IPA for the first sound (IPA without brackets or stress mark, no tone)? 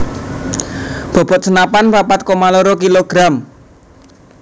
b̥